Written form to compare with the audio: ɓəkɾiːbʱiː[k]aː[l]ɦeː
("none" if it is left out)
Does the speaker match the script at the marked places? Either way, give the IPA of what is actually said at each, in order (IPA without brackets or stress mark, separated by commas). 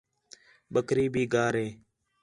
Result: ɡ, ɾ